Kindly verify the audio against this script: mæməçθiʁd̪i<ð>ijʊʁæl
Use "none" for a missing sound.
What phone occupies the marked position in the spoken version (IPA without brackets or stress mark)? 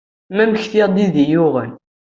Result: ð